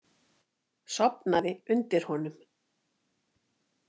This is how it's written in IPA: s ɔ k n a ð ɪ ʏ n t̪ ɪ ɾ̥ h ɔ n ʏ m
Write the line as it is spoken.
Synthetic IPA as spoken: s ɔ p n a ð ɪ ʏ n t̪ ɪ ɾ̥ h ɔ n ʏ m